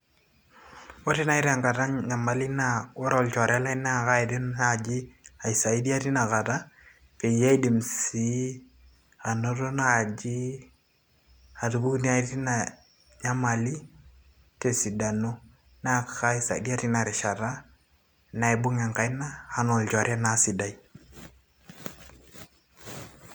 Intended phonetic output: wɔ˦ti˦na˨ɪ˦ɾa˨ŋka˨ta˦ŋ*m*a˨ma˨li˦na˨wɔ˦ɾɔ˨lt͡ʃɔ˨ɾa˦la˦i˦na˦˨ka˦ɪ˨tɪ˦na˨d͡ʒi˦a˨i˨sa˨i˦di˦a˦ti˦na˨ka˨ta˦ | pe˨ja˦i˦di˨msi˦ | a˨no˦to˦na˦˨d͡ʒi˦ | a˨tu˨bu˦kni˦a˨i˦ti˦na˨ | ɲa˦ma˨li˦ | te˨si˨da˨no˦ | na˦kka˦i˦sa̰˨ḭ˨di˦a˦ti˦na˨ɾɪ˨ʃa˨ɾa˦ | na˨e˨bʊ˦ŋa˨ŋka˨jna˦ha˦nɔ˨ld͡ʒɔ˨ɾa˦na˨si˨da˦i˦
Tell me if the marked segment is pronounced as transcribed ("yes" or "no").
no